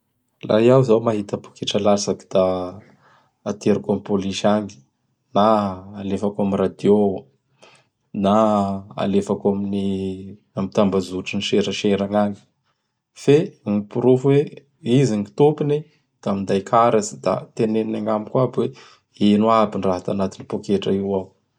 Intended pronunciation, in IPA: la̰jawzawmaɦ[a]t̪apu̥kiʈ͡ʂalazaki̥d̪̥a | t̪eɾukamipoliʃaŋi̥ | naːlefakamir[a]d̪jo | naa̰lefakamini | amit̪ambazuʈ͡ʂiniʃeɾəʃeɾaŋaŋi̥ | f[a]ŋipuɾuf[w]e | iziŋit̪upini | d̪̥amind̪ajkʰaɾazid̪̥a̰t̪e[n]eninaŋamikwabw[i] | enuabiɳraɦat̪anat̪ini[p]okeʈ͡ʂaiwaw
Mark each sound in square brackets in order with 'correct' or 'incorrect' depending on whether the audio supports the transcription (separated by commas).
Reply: incorrect, correct, incorrect, correct, correct, incorrect, correct